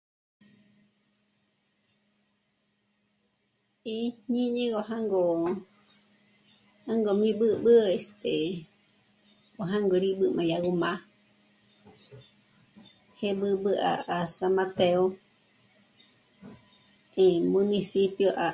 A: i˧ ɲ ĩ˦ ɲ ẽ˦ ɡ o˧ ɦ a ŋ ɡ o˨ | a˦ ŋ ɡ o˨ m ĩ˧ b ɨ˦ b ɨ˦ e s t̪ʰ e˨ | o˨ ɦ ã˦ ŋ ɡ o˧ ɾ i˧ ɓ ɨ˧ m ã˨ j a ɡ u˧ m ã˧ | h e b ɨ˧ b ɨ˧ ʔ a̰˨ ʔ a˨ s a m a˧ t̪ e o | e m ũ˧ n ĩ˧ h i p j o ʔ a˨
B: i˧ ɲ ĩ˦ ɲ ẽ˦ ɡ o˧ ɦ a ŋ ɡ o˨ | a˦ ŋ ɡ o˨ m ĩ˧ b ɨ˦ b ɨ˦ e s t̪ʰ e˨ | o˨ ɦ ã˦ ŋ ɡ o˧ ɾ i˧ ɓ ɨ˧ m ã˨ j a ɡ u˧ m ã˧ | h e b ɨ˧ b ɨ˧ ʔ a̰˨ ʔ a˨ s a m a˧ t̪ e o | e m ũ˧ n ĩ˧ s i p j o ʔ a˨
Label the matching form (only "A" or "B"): B